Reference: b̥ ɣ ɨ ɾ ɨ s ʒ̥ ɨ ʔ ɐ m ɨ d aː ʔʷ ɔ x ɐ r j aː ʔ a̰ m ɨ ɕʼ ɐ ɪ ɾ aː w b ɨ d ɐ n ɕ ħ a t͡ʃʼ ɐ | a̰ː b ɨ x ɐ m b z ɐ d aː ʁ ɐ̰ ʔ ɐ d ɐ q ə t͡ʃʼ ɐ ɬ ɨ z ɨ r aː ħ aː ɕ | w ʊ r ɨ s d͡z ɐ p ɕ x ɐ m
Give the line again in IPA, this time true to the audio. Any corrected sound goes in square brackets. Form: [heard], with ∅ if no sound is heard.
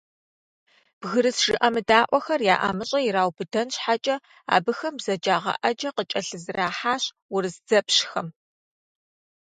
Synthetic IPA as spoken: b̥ ɣ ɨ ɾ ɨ s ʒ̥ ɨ ʔ ɐ m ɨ d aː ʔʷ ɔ x ɐ r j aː ʔ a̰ m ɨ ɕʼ ɐ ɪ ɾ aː w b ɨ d ɐ n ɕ ħ a t͡ʃʼ ɐ | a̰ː b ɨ x ɐ m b z ɐ [d͡ʒ] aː ʁ ɐ̰ ʔ ɐ [d͡ʒ] ɐ q ə t͡ʃʼ ɐ ɬ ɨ z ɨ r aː ħ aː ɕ | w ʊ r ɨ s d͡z ɐ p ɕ x ɐ m

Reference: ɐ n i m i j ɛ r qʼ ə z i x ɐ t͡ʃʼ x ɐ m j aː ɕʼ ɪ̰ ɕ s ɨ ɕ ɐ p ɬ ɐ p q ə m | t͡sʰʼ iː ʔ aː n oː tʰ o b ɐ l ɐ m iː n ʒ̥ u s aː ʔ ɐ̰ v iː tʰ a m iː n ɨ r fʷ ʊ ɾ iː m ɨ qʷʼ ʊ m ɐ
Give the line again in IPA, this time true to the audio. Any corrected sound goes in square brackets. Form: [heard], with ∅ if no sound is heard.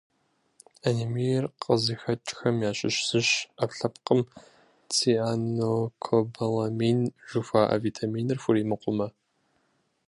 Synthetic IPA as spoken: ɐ n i m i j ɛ r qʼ ə z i x ɐ t͡ʃʼ x ɐ m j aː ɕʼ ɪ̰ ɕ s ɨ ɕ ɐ p ɬ ɐ p q ə m | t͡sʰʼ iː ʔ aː n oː [kʰ] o b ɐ l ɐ m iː n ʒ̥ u [f] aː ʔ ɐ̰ v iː tʰ a m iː n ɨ r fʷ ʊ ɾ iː m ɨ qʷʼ ʊ m ɐ

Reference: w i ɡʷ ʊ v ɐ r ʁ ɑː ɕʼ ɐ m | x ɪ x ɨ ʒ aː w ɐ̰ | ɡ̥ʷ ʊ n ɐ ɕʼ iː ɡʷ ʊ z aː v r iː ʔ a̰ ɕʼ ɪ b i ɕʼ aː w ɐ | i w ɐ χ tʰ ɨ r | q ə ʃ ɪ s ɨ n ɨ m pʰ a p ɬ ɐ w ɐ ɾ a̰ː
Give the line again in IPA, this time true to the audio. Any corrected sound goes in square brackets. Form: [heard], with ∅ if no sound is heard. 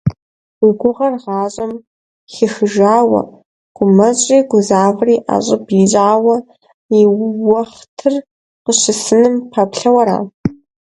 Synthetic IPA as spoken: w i ɡʷ ʊ [ʁ] ɐ r ʁ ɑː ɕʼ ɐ m | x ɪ x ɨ ʒ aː w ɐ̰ | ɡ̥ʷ ʊ [m] ɐ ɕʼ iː ɡʷ ʊ z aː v r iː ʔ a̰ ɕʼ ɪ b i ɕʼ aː w ɐ | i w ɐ χ tʰ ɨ r | q ə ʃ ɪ s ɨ n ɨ m pʰ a p ɬ ɐ w ɐ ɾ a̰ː

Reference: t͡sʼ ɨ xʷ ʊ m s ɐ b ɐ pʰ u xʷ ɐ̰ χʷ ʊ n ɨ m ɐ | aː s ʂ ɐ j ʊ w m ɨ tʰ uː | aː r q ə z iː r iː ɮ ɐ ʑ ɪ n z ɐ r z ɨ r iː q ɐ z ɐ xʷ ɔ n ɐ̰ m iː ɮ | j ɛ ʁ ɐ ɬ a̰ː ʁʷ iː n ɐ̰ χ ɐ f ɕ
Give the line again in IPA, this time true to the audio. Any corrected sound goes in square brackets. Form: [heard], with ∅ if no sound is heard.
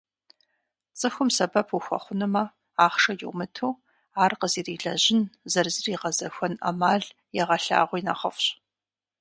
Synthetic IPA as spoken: t͡sʼ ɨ xʷ ʊ m s ɐ b ɐ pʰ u xʷ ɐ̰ χʷ ʊ n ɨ m ɐ | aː [χ] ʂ ɐ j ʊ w m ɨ tʰ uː | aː r q ə z iː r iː ɮ ɐ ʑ ɪ n z ɐ r z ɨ r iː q ɐ z ɐ xʷ ɔ n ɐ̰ m [aː] ɮ | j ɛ ʁ ɐ ɬ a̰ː ʁʷ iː n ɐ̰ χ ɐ f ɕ

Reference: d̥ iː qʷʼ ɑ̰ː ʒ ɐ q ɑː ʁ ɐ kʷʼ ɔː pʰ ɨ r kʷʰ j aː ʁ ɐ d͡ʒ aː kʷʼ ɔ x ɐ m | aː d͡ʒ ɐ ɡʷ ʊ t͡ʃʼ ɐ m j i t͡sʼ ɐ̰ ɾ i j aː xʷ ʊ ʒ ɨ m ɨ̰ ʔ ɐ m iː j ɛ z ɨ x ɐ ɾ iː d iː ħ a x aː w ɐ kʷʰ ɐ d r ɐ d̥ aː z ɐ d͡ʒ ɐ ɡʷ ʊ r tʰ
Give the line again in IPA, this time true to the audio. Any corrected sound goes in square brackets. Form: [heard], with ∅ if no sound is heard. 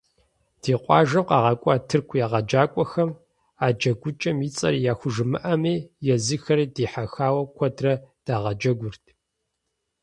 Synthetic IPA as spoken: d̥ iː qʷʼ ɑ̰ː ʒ ɐ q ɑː ʁ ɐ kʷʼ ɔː [tʰ] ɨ r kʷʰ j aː ʁ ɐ d͡ʒ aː kʷʼ ɔ x ɐ m | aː d͡ʒ ɐ ɡʷ ʊ t͡ʃʼ ɐ m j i t͡sʼ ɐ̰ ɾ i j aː xʷ ʊ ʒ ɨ m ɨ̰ ʔ ɐ m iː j ɛ z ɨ x ɐ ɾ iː d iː ħ a x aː w ɐ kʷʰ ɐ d r ɐ d̥ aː [ʁ] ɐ d͡ʒ ɐ ɡʷ ʊ r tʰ

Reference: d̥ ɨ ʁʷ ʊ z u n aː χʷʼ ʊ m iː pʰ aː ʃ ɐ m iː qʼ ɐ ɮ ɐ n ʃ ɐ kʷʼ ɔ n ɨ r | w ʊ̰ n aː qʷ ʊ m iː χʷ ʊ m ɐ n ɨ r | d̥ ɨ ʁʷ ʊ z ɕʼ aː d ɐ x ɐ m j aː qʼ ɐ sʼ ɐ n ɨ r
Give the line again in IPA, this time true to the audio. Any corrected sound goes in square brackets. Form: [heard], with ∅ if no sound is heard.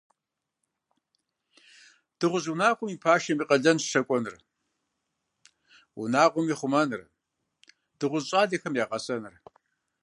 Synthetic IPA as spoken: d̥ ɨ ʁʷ ʊ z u n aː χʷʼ ʊ m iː pʰ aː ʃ ɐ m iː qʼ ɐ ɮ ɐ n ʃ ɐ kʷʼ ɔ n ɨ r | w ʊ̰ n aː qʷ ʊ m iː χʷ ʊ m ɐ n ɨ r | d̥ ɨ ʁʷ ʊ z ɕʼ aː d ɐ x ɐ m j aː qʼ ɐ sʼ ɐ n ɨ r

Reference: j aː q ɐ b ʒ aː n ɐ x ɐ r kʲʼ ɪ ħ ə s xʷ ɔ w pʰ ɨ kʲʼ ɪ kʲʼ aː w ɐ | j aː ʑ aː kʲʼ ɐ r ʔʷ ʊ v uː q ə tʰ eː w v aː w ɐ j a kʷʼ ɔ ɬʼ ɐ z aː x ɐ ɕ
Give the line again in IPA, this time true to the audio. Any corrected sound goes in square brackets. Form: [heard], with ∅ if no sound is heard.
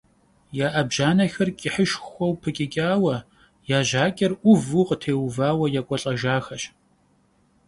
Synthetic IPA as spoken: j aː [ʔ] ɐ b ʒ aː n ɐ x ɐ r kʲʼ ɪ ħ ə [ʃ] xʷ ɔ w pʰ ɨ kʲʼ ɪ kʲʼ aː w ɐ | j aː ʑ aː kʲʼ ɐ r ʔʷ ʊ v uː q ə tʰ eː w v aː w ɐ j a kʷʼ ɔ ɬʼ ɐ [ʒ] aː x ɐ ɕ

